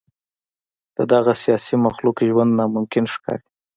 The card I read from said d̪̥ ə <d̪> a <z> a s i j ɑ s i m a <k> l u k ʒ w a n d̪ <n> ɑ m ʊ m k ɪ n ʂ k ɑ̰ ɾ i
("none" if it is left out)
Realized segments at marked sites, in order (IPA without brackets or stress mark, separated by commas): d̪, ɣ, x, n